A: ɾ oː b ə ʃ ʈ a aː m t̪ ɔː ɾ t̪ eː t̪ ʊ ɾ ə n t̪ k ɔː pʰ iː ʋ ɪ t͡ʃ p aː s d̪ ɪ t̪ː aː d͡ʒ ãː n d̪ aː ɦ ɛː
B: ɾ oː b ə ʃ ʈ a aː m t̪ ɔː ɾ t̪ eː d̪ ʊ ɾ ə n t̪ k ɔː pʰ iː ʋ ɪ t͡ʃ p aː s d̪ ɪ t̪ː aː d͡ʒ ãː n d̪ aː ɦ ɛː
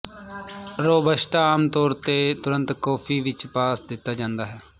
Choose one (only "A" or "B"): A